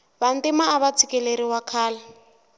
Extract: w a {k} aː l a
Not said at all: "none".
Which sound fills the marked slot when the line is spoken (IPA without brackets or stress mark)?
kʰ